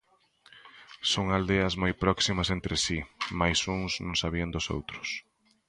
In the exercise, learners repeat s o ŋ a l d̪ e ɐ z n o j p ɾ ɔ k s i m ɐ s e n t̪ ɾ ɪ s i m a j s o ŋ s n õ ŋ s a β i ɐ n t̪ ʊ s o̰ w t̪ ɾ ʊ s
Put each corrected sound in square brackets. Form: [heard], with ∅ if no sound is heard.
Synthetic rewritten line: s o ŋ a l d̪ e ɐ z [m] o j p ɾ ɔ k s i m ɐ s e n t̪ ɾ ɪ s i m a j s [u] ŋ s n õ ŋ s a β i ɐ n [d̪] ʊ s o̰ w t̪ ɾ ʊ s